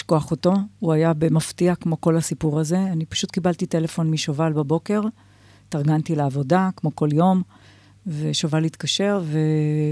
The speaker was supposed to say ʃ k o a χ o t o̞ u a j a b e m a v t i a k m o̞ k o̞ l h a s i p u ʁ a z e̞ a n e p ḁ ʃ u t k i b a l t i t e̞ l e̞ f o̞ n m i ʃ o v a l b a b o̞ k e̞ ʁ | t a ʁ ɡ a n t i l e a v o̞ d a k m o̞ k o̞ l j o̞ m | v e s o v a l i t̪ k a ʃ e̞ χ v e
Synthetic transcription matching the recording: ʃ k o a χ o t o̞ u a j a b e m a f t i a k m o̞ k o̞ l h a s i p u ʁ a z e̞ a n i p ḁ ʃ u t k i b a l t i t e̞ l e̞ f o̞ n m i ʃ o v a l b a b o̞ k e̞ ʁ | t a ʁ ɡ a n t i l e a v o̞ d a k m o̞ k o̞ l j o̞ m | v e ʃ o v a l i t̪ k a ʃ e̞ ʁ v e